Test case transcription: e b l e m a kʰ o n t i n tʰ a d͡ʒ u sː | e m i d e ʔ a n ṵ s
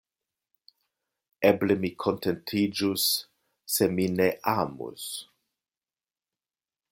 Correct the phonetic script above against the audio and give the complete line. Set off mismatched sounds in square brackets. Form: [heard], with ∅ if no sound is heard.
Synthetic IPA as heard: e b l e m [i] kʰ o n t [e] n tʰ [i] d͡ʒ u sː | e m i [n] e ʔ a [m] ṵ s